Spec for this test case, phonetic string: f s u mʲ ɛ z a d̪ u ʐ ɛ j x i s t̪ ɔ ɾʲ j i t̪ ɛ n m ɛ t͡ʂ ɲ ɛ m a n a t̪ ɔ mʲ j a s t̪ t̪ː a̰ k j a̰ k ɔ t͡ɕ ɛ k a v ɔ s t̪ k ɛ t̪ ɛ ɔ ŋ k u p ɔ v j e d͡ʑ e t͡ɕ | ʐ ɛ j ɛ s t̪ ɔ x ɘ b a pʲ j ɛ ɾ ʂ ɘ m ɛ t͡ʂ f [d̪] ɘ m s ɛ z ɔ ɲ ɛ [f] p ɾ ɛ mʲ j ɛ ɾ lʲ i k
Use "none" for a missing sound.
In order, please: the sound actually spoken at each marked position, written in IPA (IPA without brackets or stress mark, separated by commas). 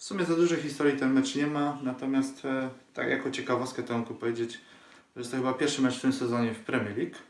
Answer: t̪, f